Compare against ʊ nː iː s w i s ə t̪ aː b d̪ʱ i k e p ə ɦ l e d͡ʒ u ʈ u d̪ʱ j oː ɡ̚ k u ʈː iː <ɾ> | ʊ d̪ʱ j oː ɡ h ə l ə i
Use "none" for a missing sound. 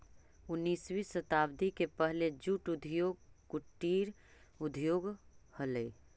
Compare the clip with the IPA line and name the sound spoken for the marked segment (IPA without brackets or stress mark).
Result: ɾ